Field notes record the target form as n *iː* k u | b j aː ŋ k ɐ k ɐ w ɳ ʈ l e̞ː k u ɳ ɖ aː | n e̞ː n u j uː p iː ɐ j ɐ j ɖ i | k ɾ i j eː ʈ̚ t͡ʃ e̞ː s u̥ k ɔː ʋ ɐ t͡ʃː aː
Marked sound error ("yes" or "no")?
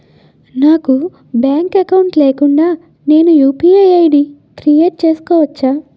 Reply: yes